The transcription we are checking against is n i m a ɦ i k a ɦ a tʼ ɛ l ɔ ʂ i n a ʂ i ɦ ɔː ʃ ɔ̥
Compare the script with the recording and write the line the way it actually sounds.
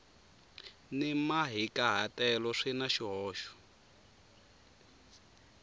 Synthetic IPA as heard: n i m a ɦ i k a ɦ a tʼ ɛ l ɔ ʂ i n a ʃ i ɦ ɔː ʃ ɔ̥